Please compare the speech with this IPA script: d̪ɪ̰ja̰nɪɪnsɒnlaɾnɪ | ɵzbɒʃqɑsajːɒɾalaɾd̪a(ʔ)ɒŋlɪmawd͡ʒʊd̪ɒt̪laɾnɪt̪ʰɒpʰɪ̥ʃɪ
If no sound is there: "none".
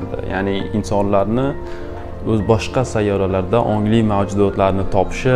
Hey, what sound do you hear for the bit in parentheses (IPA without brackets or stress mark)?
ʔ